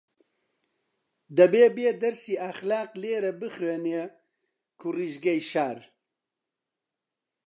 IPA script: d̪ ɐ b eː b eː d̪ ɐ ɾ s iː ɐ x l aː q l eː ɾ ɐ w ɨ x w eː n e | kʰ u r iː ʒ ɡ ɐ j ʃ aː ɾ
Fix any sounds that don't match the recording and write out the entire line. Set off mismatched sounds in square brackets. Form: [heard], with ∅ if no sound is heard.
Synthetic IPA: d̪ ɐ b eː b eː d̪ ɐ ɾ s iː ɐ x l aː q l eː ɾ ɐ [b] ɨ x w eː n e | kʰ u r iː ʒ ɡ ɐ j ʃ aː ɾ